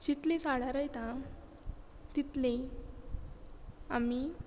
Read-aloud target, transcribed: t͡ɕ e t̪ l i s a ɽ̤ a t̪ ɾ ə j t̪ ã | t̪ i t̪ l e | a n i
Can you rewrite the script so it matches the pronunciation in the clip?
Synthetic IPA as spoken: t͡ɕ i t̪ l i s a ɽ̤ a ɾ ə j t̪ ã | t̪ i t̪ l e | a m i